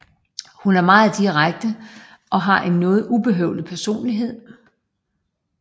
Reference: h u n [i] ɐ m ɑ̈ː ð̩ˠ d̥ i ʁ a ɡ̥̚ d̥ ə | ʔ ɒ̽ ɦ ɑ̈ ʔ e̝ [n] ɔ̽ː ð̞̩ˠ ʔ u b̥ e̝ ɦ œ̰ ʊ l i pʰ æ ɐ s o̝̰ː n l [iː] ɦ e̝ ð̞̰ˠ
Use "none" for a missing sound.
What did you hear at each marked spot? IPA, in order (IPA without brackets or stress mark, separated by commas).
æ, nː, i